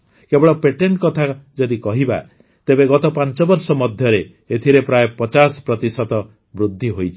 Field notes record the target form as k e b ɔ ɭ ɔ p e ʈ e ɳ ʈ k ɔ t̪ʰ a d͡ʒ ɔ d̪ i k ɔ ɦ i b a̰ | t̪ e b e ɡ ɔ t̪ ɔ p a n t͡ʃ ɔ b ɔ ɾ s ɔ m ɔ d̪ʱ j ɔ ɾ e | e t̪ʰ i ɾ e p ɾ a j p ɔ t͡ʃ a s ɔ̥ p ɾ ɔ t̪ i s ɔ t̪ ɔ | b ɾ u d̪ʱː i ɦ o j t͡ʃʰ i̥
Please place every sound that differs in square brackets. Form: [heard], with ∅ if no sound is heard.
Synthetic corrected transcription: k e b ɔ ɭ ɔ p e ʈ e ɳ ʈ k ɔ t̪ʰ a d͡ʒ ɔ d̪ i k ɔ ɦ i b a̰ | t̪ e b e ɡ ɔ t̪ ɔ p a n t͡ʃ ɔ b ɔ ɾ s ɔ m ɔ d̪ʱ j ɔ ɾ e | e t̪ʰ i ɾ e p ɾ a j p ɔ t͡ʃ a s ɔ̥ p ɾ ɔ t̪ i s ɔ t̪ ɔ | b ɾ u d̪ʱː i ɦ o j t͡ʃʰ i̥